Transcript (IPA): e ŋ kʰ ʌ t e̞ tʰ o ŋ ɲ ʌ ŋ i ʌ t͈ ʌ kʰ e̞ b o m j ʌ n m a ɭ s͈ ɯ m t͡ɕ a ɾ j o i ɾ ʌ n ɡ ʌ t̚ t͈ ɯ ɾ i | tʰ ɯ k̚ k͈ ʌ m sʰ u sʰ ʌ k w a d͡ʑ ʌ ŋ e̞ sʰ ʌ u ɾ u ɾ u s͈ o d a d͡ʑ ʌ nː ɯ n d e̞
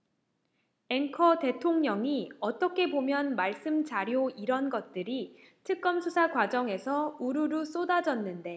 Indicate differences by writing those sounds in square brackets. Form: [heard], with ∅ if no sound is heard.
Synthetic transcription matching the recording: e ŋ kʰ ʌ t e̞ tʰ o ŋ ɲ ʌ ŋ i ʌ t͈ ʌ kʰ e̞ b o m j ʌ n m a ɭ s͈ ɯ m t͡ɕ a ɾ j o i ɾ ʌ n ɡ ʌ t̚ t͈ ɯ ɾ i | tʰ ɯ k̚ k͈ ʌ m sʰ u sʰ [a] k w a d͡ʑ ʌ ŋ e̞ sʰ ʌ u ɾ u ɾ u s͈ o d a d͡ʑ ʌ nː ɯ n d e̞